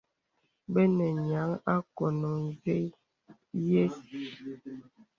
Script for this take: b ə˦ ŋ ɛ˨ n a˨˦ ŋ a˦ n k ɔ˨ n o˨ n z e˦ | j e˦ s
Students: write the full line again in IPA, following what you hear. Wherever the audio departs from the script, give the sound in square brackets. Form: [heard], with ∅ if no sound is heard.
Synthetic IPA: b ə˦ [n] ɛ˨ [ɲ] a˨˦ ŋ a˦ [∅] k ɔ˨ n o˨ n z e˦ | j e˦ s